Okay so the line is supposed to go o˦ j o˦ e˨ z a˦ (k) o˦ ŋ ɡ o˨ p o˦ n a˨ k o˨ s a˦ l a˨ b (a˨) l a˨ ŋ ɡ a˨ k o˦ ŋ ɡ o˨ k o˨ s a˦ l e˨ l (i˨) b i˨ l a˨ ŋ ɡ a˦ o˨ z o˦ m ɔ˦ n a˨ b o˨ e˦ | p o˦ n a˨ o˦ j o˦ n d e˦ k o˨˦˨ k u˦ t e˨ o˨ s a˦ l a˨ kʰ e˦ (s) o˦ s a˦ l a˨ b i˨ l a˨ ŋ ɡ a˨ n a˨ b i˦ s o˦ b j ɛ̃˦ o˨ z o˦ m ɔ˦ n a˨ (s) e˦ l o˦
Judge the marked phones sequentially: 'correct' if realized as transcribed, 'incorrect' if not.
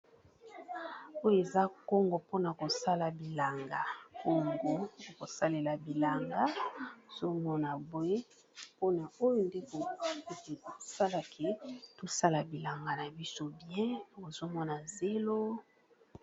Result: correct, incorrect: i˨, incorrect: a˨, incorrect: t, incorrect: z

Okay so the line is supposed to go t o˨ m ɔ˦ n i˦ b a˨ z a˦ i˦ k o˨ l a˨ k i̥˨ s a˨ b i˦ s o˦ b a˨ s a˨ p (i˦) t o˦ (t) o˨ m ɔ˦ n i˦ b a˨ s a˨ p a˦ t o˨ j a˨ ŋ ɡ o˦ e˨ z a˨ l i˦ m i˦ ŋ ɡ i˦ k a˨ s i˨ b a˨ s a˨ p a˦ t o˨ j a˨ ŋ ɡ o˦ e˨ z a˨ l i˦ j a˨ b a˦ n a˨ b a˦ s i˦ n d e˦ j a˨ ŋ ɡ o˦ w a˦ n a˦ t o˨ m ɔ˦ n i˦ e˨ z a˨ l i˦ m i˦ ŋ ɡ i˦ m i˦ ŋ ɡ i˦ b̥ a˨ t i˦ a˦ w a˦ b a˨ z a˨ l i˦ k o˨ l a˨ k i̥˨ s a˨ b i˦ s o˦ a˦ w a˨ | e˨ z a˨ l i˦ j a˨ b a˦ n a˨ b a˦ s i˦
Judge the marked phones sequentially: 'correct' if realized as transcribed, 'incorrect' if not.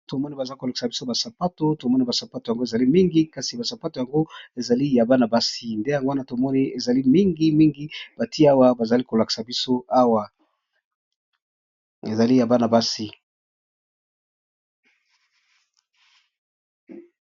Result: incorrect: a˦, correct

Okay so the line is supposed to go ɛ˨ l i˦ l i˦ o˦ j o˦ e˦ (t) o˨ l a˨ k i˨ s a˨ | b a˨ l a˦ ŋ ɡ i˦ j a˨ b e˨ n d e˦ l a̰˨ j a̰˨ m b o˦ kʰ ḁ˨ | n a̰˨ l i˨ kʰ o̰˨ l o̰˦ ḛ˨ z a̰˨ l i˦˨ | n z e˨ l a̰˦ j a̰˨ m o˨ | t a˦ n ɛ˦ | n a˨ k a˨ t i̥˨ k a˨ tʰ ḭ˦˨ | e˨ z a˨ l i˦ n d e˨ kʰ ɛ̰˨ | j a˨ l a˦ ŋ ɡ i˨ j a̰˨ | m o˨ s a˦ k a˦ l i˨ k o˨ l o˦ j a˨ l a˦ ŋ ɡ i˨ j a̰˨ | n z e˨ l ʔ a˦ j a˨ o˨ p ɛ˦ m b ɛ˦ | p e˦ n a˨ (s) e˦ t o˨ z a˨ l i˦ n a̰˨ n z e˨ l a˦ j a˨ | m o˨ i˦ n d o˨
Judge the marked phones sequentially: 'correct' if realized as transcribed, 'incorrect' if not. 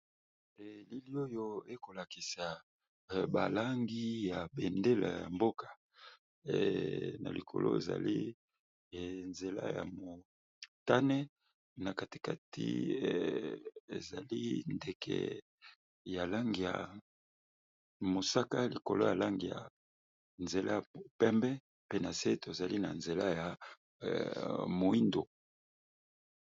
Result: incorrect: k, correct

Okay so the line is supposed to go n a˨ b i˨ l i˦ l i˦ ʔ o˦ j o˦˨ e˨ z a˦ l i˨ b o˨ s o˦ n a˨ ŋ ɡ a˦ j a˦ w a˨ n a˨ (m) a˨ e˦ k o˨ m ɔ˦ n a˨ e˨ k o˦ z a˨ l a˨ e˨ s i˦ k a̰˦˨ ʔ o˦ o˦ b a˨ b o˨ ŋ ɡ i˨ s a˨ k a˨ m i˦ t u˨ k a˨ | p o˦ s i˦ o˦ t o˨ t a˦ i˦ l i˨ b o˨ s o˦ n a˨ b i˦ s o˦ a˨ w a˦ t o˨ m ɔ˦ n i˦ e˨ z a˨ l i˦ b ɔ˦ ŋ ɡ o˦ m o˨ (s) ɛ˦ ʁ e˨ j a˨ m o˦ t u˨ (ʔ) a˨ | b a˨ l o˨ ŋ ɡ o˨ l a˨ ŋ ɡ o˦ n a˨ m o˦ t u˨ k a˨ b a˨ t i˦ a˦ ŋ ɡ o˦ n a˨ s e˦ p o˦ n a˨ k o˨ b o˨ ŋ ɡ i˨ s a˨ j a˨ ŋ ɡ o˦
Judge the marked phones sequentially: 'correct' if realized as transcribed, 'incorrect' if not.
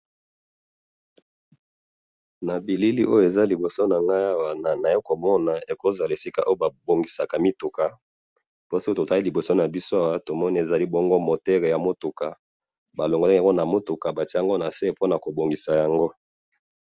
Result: incorrect: n, incorrect: t, incorrect: k

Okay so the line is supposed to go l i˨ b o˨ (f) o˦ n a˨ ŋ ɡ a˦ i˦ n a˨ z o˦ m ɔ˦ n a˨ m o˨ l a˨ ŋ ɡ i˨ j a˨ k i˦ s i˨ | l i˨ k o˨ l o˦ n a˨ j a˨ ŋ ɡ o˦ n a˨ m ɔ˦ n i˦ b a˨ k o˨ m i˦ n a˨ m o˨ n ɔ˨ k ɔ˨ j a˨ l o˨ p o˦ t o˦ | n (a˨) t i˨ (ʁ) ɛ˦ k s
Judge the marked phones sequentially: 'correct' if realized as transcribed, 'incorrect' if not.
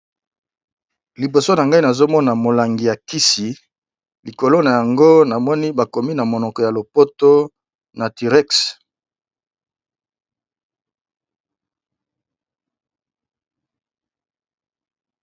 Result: incorrect: s, correct, correct

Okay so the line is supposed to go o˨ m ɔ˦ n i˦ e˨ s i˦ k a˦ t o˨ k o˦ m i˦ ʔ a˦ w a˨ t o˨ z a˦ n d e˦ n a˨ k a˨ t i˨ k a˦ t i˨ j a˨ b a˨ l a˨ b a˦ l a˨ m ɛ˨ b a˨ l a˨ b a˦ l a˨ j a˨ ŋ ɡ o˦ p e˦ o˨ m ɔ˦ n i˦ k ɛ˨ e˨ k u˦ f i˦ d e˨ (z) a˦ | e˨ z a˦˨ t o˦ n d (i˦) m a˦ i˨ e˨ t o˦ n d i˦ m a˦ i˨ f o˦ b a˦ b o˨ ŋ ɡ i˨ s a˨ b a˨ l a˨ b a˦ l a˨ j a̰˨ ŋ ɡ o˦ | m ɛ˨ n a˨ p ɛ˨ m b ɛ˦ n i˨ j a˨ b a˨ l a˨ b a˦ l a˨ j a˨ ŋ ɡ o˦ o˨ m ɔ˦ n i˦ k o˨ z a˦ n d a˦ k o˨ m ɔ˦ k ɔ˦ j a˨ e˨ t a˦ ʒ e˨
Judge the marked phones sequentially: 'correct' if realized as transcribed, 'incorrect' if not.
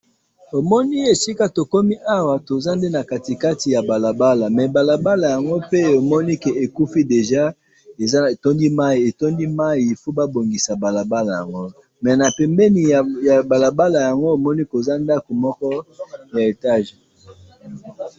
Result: incorrect: ʒ, correct

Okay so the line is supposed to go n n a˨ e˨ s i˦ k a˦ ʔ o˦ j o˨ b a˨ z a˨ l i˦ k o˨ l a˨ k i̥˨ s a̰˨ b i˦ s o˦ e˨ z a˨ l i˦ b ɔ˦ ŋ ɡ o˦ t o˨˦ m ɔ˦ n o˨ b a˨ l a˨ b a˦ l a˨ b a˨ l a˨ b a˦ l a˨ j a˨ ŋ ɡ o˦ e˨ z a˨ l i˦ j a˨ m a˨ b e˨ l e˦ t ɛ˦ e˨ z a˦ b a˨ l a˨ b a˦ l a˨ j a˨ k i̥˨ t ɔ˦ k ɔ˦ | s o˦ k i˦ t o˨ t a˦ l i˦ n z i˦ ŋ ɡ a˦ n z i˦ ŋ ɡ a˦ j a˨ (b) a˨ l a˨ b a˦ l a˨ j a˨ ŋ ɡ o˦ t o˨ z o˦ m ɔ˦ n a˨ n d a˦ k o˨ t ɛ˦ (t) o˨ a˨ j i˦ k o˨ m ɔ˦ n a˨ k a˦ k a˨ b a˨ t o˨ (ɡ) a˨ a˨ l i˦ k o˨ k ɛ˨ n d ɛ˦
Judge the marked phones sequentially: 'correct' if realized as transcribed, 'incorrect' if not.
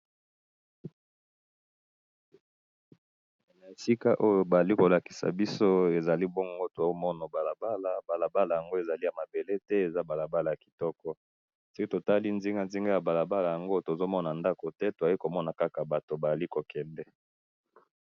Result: correct, correct, incorrect: b

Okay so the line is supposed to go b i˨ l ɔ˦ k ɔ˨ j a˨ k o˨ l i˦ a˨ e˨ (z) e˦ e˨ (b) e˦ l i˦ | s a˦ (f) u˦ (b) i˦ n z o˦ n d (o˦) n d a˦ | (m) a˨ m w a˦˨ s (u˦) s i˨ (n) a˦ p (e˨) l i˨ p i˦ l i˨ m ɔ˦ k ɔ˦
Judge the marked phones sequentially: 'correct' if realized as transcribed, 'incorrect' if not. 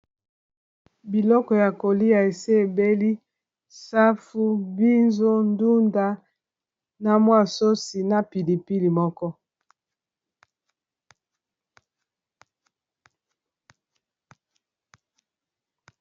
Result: incorrect: s, correct, correct, correct, incorrect: u˦, incorrect: n, incorrect: o˦, correct, incorrect: i˨

